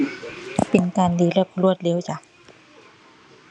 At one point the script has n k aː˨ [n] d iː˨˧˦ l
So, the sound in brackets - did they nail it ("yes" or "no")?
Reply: yes